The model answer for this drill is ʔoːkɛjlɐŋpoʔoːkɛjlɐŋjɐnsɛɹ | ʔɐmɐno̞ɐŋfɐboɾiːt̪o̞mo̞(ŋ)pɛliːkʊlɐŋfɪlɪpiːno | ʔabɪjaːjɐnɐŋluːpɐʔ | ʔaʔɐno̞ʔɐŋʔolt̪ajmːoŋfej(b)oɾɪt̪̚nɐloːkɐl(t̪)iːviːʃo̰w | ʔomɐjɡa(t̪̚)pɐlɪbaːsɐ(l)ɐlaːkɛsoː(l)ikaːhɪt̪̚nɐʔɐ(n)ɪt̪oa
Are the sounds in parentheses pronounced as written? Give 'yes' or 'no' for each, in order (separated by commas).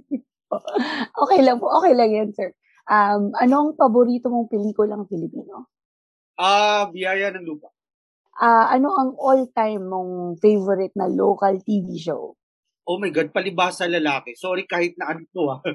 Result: yes, no, yes, no, yes, no, yes